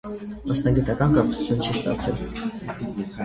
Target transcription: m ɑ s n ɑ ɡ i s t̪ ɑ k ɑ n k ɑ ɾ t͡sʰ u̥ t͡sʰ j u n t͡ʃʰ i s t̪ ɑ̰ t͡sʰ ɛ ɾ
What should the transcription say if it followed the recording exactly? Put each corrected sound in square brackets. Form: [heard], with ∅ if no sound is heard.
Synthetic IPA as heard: m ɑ s n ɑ ɡ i [∅] t̪ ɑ k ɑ n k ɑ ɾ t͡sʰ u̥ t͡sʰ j u n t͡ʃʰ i s t̪ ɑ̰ t͡sʰ ɛ [l]